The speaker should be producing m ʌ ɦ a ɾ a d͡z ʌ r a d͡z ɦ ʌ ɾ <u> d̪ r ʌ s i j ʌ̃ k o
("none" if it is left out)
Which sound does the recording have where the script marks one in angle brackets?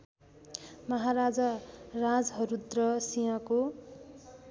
u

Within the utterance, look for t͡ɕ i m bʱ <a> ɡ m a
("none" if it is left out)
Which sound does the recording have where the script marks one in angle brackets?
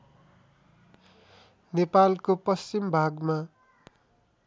a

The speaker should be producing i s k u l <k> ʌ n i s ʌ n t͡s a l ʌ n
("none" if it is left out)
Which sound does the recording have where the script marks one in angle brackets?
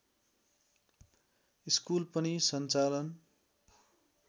p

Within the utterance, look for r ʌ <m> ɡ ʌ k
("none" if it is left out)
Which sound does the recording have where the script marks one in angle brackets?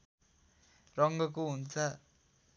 ŋ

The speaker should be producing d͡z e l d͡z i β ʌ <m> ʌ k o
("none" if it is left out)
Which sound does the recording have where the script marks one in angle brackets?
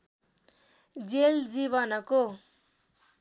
n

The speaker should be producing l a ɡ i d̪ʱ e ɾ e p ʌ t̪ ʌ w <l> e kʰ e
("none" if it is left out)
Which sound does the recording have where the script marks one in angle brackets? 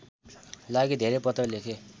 l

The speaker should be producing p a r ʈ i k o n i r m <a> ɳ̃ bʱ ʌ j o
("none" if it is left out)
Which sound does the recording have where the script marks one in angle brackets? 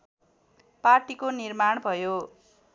a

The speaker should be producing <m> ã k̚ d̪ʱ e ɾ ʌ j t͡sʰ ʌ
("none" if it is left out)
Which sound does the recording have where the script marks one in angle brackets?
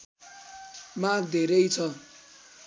m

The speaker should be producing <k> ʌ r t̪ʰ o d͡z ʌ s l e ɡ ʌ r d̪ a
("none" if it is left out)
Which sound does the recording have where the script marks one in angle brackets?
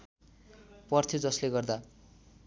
p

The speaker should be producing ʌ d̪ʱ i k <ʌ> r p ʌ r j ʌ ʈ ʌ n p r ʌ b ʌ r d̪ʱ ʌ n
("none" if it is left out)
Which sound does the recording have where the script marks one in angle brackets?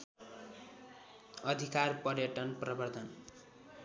a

